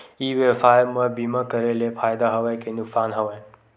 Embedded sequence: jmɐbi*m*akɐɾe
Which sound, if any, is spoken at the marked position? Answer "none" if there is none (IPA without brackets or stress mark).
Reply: m